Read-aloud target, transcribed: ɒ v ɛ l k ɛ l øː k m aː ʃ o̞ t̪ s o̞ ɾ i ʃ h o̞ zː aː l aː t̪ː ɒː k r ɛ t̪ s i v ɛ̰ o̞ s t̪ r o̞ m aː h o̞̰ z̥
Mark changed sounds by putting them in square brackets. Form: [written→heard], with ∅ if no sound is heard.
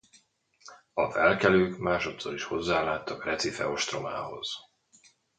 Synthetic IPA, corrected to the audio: ɒ v ɛ l k ɛ l øː k m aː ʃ o̞ t̪ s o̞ ɾ i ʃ h o̞ zː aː l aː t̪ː [ɒː→ɒ] k r ɛ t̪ s i [v→f] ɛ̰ o̞ [s→ʃ] t̪ r o̞ m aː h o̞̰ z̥